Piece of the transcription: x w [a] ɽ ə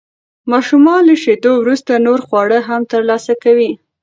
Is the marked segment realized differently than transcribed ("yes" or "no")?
yes